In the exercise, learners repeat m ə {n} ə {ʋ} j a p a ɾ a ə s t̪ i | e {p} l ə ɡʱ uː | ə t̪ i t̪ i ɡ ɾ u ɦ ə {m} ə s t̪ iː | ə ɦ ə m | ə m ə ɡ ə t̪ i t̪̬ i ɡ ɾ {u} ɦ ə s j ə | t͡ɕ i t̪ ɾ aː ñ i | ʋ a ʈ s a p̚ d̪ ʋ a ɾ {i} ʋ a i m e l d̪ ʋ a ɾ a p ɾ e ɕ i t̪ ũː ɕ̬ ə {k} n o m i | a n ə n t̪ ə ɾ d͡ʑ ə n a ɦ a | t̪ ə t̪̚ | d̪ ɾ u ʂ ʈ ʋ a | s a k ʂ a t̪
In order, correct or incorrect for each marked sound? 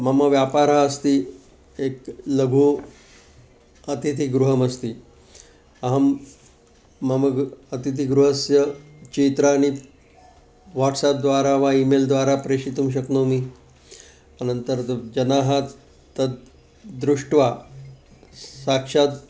incorrect: m, correct, incorrect: k, correct, correct, incorrect: a, correct

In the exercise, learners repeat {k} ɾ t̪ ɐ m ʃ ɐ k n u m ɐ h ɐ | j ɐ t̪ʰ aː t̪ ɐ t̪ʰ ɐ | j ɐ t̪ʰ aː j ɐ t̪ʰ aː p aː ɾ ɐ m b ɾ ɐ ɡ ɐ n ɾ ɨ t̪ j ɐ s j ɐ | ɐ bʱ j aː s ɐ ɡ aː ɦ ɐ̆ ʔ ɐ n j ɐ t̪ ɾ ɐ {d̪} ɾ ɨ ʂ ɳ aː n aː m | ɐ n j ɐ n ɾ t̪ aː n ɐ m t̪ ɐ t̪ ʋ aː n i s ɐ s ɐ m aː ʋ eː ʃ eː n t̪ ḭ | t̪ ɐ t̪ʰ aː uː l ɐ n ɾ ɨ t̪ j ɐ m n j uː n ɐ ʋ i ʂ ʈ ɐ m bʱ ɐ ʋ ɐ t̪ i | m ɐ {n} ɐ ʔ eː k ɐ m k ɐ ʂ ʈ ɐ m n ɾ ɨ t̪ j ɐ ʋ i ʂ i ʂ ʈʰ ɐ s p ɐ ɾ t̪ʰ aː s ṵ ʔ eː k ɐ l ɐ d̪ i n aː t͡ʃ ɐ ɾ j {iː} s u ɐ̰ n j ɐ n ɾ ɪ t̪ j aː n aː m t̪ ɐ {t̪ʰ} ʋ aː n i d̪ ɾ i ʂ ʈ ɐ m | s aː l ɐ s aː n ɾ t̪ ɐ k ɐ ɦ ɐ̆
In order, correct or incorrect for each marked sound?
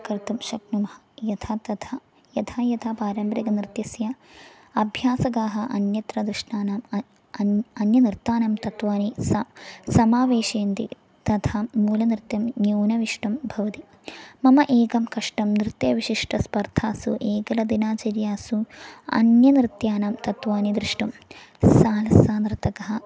correct, correct, incorrect: m, incorrect: aː, incorrect: t̪

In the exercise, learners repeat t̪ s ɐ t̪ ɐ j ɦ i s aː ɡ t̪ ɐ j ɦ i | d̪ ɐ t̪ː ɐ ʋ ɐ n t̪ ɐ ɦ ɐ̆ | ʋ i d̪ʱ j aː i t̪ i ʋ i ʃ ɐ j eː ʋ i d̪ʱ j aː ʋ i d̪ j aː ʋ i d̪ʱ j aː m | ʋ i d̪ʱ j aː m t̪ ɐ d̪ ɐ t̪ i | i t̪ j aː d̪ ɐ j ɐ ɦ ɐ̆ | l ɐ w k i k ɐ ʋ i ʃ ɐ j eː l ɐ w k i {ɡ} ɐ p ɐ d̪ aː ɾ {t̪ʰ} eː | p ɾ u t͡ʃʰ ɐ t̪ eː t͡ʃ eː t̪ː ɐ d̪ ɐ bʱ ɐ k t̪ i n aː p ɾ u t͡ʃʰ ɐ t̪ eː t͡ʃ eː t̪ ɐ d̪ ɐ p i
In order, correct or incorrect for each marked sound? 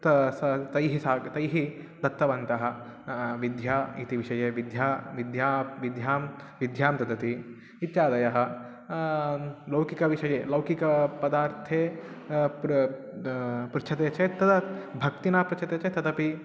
incorrect: k, correct

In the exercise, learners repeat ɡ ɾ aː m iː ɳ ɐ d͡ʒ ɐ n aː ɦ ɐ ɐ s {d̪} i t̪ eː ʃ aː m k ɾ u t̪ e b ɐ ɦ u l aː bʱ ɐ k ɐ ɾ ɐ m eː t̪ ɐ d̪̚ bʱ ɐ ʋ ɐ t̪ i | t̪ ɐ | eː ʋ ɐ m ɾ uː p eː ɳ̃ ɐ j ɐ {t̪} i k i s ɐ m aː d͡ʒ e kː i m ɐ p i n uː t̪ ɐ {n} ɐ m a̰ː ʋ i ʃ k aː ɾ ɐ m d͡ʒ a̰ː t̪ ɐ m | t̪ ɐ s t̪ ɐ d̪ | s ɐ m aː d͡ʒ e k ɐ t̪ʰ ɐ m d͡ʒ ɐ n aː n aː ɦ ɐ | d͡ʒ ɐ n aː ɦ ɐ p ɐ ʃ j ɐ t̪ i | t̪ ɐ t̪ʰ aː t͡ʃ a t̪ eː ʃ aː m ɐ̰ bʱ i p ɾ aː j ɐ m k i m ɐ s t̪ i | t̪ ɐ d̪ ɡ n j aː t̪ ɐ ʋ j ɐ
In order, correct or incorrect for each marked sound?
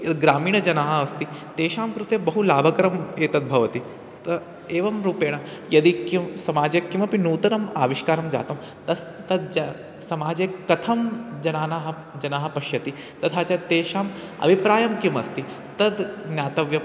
incorrect: t̪, incorrect: d̪, correct

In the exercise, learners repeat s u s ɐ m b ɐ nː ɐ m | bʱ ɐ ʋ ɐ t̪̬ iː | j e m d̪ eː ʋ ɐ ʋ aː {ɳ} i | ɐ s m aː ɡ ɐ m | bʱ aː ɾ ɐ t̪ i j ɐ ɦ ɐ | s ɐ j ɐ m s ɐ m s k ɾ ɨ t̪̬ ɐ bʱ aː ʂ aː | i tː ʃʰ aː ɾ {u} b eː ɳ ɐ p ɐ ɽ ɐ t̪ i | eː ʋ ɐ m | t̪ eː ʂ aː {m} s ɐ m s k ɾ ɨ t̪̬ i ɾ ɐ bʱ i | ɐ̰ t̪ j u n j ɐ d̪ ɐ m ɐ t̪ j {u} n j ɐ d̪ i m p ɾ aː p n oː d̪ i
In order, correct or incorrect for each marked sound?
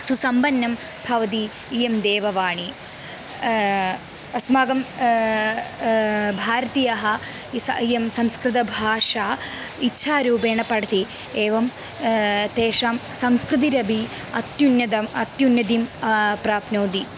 correct, incorrect: uː, correct, correct

